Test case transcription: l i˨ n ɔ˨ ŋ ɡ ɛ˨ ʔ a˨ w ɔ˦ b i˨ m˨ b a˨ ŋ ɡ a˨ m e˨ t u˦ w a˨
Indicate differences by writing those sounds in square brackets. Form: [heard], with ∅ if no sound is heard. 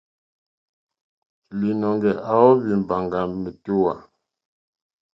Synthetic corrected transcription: l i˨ n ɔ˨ ŋ ɡ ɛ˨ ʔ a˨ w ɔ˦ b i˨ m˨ b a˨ ŋ ɡ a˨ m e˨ t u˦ w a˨